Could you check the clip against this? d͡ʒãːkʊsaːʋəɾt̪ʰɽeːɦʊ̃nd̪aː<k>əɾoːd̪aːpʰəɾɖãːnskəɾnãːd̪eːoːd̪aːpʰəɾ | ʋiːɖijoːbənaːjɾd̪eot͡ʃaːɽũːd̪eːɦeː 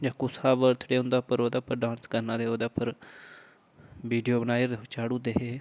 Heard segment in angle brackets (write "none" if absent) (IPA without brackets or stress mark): p